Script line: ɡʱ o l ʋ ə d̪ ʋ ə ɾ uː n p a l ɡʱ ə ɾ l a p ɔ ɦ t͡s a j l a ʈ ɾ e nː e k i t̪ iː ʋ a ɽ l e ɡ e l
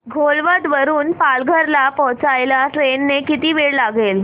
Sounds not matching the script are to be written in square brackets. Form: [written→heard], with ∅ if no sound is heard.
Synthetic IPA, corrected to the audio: ɡʱ o l ʋ ə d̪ ʋ ə ɾ uː n p a l ɡʱ ə ɾ l a p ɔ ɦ t͡s a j l a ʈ ɾ e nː e k i t̪ iː ʋ [a→e] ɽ l [e→a] ɡ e l